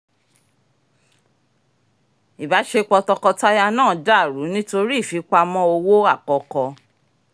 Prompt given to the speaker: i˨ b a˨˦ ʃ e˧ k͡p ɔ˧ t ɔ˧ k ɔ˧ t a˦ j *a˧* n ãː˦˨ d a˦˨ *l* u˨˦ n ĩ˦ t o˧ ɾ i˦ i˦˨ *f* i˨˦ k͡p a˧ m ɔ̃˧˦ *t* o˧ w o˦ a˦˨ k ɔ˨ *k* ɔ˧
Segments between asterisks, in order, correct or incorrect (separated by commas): correct, incorrect, correct, incorrect, correct